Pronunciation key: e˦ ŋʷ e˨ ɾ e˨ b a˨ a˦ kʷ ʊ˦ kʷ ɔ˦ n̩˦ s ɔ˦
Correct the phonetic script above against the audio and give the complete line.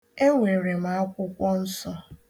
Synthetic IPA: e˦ ŋʷ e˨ ɾ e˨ m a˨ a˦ kʷ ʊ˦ kʷ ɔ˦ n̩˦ s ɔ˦

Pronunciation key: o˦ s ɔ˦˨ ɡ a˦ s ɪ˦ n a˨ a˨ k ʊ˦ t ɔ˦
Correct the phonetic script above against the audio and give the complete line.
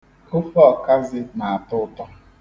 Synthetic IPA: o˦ f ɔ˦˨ k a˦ z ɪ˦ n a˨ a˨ t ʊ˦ t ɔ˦

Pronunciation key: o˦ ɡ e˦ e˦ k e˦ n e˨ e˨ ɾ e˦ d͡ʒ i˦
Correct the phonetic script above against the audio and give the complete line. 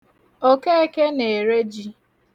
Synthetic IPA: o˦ k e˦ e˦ k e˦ n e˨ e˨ ɾ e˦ d͡ʒ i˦

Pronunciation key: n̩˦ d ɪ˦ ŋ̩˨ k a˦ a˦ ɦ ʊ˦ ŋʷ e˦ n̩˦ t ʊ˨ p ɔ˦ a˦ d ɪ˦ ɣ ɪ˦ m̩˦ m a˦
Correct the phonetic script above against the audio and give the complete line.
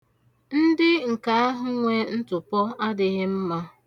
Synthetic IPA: n̩˦ d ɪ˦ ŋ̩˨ k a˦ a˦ ɦ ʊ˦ ŋʷ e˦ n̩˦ t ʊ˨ p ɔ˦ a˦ d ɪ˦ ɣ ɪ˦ m̩˦ m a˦

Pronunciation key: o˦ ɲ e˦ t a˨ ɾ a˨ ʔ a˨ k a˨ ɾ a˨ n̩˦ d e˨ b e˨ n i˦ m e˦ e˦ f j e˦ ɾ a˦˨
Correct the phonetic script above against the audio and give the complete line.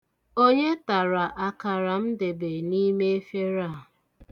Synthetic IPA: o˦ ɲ e˦ t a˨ ɾ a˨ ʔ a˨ k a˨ ɾ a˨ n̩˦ d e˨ b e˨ n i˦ m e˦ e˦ f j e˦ ɾ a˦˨

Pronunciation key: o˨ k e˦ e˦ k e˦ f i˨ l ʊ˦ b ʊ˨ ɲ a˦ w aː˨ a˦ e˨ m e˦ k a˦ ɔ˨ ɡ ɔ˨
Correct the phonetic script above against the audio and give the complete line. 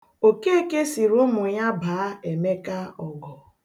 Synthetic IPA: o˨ k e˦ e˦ k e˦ s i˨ ɾ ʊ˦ m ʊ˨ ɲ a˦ b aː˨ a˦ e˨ m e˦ k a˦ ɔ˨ ɡ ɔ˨

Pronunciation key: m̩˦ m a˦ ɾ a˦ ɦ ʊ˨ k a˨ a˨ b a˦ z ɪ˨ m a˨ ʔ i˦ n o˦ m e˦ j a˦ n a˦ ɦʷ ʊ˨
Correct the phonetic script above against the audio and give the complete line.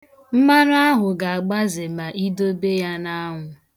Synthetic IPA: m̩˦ m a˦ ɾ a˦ ɦ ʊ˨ ɡ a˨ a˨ ɡ͡b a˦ z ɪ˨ m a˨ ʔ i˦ d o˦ b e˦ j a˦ n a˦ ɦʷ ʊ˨

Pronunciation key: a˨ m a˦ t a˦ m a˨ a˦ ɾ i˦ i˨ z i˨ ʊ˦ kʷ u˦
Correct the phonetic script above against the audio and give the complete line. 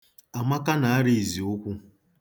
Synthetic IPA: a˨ m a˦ k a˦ n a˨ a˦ ɾ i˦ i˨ z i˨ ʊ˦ kʷ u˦

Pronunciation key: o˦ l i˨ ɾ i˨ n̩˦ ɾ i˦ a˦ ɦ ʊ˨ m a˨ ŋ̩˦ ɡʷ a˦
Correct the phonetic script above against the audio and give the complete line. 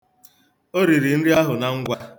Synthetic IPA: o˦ ɾ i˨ ɾ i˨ n̩˦ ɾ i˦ a˦ ɦ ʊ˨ n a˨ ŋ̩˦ ɡʷ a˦

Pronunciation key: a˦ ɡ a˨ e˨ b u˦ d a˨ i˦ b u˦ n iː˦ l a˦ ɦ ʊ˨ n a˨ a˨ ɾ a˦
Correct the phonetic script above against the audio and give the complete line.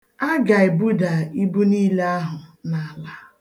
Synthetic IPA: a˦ ɡ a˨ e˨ b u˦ d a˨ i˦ b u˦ n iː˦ l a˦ ɦ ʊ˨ n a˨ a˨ l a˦

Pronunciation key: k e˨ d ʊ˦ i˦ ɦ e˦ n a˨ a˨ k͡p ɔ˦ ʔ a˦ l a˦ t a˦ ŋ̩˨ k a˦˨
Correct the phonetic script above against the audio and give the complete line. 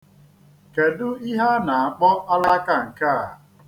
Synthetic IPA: k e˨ d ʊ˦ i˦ ɦ a˦ n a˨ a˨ k͡p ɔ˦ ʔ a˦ l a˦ k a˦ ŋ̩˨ k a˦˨

